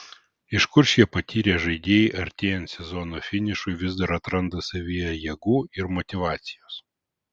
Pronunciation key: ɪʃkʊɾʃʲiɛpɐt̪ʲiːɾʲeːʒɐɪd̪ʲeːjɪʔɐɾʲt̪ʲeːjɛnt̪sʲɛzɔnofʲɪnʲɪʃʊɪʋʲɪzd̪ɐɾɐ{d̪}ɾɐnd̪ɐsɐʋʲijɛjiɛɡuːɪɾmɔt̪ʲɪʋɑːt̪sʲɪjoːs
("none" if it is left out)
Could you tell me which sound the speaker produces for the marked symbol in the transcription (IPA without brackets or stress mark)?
t̪